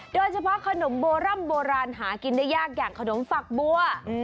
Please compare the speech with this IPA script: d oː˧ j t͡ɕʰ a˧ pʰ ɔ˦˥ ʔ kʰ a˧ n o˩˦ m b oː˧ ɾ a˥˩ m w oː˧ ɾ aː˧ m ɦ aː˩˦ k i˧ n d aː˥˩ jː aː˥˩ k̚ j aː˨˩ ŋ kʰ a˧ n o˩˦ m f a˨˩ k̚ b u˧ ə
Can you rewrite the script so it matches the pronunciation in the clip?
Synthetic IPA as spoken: d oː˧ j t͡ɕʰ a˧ pʰ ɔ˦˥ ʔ kʰ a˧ n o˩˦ m b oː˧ ɾ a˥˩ m b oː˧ ɾ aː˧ n ɦ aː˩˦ k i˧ n d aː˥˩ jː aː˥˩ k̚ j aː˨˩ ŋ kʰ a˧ n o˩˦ m f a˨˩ k̚ b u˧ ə